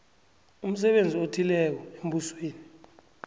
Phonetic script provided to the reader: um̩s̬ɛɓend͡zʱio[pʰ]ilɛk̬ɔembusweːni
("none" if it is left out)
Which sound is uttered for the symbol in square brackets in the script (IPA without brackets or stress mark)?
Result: tʰ